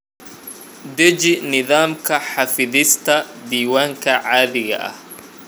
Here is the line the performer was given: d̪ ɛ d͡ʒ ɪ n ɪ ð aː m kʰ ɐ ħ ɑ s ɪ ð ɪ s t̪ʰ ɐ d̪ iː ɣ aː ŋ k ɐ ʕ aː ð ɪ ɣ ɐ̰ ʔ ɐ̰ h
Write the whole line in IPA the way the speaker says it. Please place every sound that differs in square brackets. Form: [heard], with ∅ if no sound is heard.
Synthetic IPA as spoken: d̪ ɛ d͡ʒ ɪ n ɪ ð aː m kʰ ɐ ħ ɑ [f] ɪ ð ɪ s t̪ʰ ɐ d̪ iː [w] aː ŋ [kʰ] ɐ ʕ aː ð ɪ ɣ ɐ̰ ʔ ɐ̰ h